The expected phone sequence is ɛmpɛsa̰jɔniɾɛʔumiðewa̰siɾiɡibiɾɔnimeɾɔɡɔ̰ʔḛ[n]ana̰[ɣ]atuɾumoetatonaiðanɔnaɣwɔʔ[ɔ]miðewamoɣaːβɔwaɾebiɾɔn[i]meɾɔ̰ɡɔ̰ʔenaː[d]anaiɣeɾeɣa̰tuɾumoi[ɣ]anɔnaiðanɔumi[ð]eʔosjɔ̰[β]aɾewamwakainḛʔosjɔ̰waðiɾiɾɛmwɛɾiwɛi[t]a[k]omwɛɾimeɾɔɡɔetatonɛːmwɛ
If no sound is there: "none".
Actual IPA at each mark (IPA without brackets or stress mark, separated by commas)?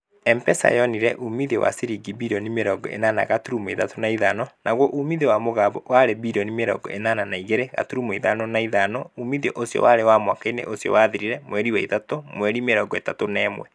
n, ɣ, u, i, n, ð, ð, w, t, t